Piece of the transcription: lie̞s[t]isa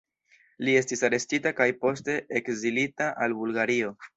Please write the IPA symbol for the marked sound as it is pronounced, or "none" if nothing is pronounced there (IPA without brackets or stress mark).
t